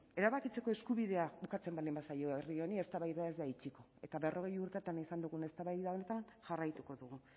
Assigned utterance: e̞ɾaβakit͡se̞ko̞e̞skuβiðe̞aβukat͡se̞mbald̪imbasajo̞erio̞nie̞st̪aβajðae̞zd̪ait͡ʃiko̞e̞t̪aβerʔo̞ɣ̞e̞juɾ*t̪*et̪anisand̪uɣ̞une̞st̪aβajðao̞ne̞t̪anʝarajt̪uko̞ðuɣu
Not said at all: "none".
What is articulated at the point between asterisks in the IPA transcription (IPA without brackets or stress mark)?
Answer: t̪